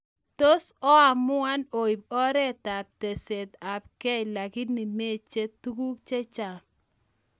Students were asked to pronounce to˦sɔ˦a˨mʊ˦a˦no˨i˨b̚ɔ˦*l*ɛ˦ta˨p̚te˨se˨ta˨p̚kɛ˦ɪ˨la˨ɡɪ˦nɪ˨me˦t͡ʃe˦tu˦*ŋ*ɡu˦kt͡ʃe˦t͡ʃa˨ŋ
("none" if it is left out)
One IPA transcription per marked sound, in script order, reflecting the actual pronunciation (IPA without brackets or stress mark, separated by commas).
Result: ɾ, none